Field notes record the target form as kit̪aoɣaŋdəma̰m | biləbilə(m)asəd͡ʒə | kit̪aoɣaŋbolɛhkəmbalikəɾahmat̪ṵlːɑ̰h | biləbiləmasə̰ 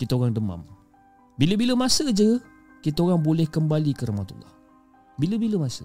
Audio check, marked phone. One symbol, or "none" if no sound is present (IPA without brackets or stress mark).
m